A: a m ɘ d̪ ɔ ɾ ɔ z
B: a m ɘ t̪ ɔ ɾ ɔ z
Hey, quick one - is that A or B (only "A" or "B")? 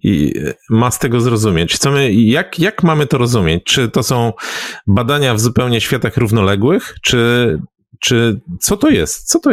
B